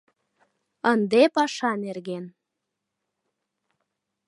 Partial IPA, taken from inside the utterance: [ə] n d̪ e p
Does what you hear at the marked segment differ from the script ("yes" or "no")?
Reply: no